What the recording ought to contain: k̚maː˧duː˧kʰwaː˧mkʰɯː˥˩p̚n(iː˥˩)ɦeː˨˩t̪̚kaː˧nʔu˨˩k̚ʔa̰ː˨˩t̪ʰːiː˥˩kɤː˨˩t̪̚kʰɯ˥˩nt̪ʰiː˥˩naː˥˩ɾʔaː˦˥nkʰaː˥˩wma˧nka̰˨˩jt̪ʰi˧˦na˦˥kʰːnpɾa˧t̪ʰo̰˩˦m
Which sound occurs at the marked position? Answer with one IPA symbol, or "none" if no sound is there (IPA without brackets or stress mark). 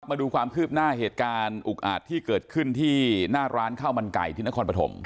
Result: aː˥˩